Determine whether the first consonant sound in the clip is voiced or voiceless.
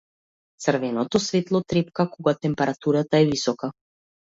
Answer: voiceless